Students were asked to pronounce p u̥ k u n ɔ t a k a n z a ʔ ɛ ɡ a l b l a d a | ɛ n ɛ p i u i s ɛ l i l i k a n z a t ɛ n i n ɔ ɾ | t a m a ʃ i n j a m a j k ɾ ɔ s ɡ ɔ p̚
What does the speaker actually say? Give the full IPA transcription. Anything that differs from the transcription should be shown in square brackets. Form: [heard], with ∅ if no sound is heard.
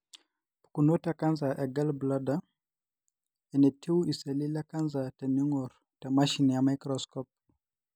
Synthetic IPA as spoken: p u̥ k u n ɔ t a k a n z a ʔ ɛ ɡ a l b l a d a | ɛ n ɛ [t] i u i s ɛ l i l [a] k a n z a t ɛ n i [ŋ] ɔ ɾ | t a m a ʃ i n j a m a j k ɾ ɔ s [k] ɔ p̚